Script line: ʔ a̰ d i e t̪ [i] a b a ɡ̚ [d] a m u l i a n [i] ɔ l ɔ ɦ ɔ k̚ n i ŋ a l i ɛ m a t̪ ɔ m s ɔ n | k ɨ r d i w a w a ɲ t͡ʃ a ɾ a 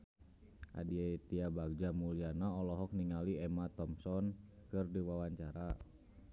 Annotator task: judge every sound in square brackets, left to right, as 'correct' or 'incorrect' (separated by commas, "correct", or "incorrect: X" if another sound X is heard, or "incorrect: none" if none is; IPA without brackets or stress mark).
correct, incorrect: d͡ʒ, incorrect: a